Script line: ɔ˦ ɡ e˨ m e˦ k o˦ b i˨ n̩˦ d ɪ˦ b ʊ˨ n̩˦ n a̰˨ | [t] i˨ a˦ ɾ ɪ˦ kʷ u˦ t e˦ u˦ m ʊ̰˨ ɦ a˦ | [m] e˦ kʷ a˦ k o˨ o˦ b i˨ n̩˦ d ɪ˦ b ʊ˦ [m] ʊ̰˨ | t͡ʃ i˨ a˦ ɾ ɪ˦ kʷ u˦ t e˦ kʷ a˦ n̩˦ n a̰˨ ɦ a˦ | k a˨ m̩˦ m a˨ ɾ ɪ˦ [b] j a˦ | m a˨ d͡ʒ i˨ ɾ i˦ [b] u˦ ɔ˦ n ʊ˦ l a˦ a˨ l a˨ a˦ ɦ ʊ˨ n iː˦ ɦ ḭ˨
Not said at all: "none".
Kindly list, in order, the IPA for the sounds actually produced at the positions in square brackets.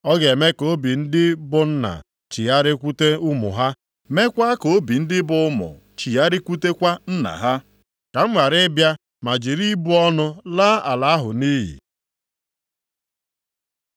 t͡ʃ, m, m, b, b

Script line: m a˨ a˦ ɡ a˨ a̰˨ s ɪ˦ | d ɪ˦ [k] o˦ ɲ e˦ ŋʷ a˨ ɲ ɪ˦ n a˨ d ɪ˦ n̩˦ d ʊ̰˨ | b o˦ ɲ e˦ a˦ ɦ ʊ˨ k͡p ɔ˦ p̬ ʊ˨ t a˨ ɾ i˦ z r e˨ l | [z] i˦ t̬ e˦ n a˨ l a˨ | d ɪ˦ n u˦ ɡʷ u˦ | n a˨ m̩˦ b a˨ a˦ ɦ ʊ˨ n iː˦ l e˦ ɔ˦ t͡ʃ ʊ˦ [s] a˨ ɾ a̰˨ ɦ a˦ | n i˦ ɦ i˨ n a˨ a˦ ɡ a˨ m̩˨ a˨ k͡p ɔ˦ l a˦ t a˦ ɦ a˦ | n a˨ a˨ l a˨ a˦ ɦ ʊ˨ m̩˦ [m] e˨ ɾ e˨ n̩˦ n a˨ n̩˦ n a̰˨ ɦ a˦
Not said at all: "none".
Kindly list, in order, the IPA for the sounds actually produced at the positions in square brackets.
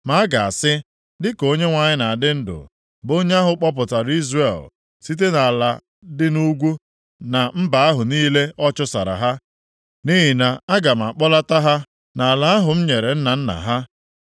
k, s, s, ɲ

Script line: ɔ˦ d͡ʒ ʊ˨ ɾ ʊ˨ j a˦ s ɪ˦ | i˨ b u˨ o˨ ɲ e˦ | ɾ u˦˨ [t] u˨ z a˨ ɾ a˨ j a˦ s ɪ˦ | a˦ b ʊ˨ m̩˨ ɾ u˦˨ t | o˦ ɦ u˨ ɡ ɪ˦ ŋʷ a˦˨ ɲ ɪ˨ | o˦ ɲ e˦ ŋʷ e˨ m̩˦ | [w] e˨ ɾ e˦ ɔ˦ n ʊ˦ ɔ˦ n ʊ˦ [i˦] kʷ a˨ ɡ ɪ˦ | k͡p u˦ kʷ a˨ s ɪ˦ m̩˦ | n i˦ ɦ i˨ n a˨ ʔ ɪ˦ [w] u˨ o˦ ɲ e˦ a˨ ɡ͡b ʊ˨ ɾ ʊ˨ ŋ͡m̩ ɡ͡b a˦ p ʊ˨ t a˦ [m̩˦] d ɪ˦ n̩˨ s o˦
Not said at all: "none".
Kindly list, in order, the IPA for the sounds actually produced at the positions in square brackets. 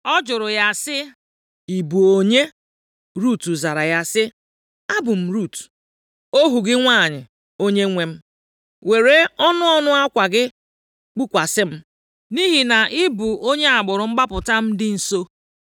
t, w, a˦, b, m̩˦

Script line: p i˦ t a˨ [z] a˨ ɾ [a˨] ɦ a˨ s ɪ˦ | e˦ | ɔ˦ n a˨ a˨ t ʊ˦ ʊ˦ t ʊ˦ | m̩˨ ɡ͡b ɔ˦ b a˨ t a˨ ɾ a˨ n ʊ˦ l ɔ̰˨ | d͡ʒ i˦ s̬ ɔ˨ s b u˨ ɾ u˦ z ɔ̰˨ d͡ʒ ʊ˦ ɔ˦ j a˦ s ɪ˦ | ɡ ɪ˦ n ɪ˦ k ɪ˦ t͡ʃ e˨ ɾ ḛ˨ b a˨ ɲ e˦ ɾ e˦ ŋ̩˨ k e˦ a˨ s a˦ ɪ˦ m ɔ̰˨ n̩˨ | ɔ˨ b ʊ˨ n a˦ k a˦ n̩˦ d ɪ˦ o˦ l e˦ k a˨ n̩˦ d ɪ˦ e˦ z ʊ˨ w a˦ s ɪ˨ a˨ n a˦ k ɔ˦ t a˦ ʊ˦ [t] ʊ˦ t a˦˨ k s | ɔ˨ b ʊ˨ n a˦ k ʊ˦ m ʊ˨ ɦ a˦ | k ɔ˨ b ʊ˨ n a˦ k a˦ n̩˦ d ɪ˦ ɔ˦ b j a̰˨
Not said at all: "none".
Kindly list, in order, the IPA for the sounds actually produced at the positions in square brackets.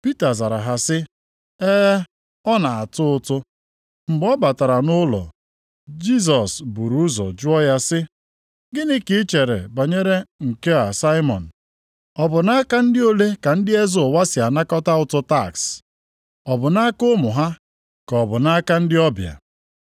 z, a˨, t

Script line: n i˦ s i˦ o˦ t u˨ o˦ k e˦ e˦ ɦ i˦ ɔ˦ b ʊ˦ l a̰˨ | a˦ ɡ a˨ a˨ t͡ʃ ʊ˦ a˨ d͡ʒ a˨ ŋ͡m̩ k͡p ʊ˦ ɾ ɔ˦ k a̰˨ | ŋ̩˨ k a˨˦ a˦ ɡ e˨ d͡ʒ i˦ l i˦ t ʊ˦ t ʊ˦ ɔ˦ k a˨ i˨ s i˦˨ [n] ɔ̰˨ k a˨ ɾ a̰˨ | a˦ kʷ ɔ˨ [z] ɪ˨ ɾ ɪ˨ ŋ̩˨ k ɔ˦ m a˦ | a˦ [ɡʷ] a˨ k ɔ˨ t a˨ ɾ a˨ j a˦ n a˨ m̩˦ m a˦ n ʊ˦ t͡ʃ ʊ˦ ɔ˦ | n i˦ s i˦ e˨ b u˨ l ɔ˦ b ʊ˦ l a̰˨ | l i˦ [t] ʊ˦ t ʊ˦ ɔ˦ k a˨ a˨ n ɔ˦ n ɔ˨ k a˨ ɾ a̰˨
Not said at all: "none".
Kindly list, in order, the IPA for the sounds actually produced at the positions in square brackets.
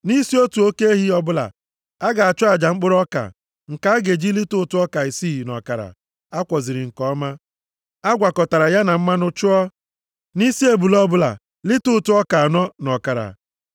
n, z, ɡʷ, t

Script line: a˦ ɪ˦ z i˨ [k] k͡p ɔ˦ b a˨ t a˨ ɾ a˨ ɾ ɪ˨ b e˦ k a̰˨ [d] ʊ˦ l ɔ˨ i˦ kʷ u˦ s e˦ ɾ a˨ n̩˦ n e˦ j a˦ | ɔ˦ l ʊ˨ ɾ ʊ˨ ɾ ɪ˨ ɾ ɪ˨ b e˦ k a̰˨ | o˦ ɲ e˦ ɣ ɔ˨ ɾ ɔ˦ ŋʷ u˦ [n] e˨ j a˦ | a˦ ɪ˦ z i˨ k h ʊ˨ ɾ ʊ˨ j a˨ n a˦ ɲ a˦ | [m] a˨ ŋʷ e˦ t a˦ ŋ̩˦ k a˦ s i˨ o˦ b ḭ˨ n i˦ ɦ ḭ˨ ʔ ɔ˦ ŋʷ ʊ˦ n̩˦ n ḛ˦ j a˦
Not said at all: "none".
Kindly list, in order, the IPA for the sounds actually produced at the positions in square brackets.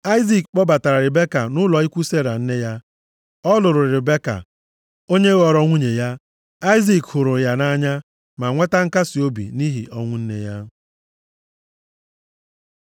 k, n, ɲ, m

